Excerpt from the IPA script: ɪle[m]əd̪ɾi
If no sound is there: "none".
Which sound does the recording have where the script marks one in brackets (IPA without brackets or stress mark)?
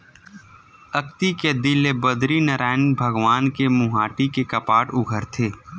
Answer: b